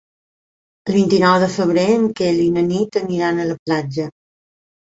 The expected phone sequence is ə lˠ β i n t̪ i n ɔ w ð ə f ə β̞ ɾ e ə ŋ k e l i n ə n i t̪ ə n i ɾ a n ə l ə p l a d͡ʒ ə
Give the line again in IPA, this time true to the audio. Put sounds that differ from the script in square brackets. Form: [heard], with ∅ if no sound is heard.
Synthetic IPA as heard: ə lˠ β i n t̪ i n ɔ w ð ə f ə β̞ ɾ e ə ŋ k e l i n ə n i t̪ ə n i ɾ a n ə l ə p l a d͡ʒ ə